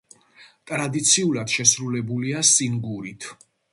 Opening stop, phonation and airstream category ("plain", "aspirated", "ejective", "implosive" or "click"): ejective